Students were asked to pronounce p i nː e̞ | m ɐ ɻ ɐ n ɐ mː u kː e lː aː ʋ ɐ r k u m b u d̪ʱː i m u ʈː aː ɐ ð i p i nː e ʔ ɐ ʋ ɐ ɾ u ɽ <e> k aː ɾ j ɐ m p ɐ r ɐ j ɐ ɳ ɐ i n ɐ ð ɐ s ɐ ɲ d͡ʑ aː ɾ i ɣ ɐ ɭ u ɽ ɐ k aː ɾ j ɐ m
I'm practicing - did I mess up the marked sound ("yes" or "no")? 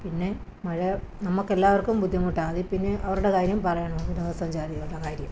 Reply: no